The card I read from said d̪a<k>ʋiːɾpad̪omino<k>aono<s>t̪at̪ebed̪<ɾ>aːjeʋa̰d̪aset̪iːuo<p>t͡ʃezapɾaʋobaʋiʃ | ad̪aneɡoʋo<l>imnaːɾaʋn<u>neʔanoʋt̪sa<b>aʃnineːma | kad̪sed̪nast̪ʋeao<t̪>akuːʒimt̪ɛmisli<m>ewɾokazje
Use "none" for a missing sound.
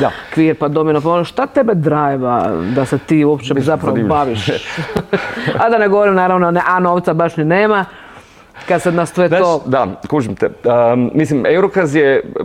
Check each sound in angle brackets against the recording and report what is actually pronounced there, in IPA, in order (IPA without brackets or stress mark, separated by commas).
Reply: k, p, ʃ, ɾ, p, ɾ, o, b, d̪, m